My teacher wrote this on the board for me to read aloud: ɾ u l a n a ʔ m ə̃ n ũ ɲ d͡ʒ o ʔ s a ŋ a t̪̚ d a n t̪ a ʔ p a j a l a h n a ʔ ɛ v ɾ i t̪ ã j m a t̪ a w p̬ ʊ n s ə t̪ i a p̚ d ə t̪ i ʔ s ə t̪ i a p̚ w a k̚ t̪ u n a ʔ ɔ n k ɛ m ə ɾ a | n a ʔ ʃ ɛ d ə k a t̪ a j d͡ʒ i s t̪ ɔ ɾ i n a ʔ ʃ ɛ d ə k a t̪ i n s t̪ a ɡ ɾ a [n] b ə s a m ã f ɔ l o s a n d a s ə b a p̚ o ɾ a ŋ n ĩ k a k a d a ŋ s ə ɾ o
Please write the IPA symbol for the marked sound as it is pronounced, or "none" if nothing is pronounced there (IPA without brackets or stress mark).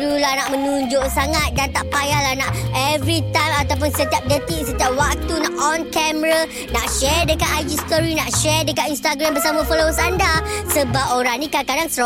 m